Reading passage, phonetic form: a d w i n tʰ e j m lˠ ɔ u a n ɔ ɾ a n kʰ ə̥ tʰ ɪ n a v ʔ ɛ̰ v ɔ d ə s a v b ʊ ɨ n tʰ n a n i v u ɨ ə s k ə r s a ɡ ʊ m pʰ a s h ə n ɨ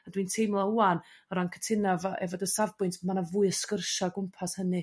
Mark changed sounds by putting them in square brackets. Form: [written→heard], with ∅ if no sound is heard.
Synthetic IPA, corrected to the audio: a d w i n tʰ e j m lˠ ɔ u a n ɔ ɾ a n kʰ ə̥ tʰ ɪ n a v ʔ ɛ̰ v ɔ d ə s a v b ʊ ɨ n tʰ [n→m] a n [i→a] v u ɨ ə s k ə r [s→ʃ] a ɡ ʊ m pʰ a s h ə n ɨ